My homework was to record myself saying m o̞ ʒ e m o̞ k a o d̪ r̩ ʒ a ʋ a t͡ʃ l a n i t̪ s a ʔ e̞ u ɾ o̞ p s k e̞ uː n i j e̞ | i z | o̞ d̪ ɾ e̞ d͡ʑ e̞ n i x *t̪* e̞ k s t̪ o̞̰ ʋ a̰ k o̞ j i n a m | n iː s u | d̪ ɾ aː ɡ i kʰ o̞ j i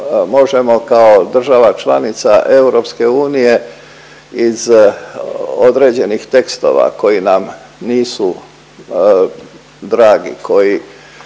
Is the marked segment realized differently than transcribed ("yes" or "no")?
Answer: no